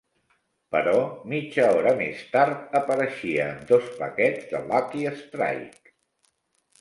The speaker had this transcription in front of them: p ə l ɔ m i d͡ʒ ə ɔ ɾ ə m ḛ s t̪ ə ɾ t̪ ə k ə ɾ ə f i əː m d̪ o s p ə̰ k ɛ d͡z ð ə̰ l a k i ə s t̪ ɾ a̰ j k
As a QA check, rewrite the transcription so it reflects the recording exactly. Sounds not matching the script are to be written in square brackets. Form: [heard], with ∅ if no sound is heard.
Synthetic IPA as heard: p ə [ɾ] ɔ m i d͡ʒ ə ɔ ɾ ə m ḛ s t̪ [a] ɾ t̪ ə [p] ə ɾ ə [ʃ] i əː m d̪ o s p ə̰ k ɛ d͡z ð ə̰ l a k i ə s t̪ ɾ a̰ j k

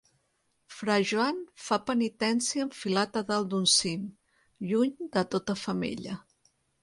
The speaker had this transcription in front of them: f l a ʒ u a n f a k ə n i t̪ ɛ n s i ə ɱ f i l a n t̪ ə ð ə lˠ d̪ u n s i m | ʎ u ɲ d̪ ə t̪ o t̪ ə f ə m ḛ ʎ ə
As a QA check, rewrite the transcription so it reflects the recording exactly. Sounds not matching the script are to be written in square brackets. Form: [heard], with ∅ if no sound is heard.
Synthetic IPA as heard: f [ɾ] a ʒ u a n f a [p] ə n i t̪ ɛ n s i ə ɱ f i l a [∅] t̪ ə ð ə lˠ d̪ u n s i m | ʎ u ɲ d̪ ə t̪ o t̪ ə f ə m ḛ ʎ ə

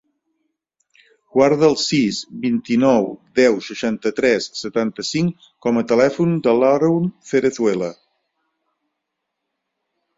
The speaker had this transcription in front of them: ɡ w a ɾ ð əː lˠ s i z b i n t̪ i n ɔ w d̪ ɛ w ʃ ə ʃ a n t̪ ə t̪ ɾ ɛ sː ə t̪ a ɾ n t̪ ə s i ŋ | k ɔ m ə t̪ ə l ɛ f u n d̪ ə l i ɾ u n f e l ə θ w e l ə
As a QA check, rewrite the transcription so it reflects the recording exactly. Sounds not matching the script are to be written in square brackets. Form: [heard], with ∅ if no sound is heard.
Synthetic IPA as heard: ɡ w a ɾ ð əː lˠ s i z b i n t̪ i n ɔ w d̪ ɛ w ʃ ə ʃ a n t̪ ə t̪ ɾ ɛ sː ə t̪ a [∅] n t̪ ə s i ŋ | k ɔ m ə t̪ ə l ɛ f u n d̪ ə l [a] ɾ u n f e [ɾ] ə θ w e l ə

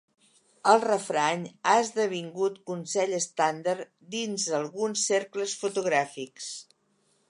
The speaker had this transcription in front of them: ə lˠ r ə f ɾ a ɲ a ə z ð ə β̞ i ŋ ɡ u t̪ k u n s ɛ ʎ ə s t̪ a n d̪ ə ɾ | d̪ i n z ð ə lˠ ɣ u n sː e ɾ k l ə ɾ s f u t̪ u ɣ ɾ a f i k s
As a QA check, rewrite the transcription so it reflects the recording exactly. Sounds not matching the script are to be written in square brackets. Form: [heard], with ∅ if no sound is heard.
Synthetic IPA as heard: ə lˠ r ə f ɾ a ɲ a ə z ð ə β̞ i ŋ ɡ u t̪ k u n s ɛ ʎ ə s t̪ a n d̪ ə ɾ | d̪ i n z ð ə lˠ ɣ u n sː e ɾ k l ə [∅] s f u t̪ u ɣ ɾ a f i k s

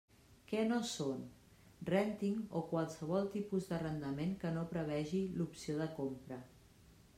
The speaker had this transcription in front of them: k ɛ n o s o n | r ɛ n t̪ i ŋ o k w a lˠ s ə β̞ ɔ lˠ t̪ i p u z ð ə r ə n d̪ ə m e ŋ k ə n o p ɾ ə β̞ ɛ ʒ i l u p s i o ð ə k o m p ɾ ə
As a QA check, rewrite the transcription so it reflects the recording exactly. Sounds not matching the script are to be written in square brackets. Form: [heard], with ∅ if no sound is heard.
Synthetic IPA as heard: k ɛ n o s o n | r ɛ n t̪ i ŋ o k w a lˠ s ə β̞ ɔ lˠ t̪ i p u z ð ə r ə n d̪ ə m e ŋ k ə n o p ɾ ə β̞ ɛ ʒ i l u p s i o ð ə k o m p ɾ ə

